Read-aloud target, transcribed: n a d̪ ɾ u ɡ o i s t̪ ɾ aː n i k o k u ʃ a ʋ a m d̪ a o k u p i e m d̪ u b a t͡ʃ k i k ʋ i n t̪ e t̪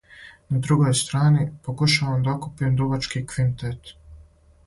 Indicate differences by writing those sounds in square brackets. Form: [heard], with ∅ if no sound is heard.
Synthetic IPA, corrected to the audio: n a d̪ ɾ u ɡ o [j] s t̪ ɾ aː n i [p] o k u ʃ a ʋ a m d̪ a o k u p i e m d̪ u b a t͡ʃ k i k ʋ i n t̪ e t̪